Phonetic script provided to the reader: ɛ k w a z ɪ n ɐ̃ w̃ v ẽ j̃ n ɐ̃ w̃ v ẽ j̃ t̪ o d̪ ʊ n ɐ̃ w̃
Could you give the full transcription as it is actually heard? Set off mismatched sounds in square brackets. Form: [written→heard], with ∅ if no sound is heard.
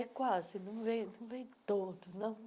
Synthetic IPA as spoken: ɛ k w a z ɪ n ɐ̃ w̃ v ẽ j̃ n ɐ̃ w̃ v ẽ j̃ t̪ o d̪ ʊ n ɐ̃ w̃